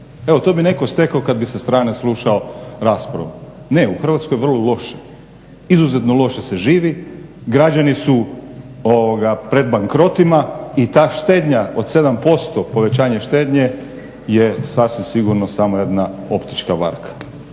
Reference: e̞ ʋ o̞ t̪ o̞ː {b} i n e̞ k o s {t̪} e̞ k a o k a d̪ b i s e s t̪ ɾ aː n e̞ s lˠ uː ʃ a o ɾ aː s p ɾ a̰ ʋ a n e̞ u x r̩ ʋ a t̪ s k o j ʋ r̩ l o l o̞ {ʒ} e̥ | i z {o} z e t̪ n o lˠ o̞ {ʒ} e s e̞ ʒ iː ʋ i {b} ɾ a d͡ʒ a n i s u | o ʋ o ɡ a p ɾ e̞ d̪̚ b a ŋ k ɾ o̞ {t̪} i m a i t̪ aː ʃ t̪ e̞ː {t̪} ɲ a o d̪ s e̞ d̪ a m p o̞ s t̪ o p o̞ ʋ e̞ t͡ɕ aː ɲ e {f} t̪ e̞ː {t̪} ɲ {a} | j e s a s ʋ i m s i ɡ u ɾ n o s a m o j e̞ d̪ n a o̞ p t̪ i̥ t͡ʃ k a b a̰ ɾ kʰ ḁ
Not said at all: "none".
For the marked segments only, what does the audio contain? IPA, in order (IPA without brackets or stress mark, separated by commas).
b, t̪, ʃ, u, ʃ, ɡ, t̪, d̪, ʃ, d̪, e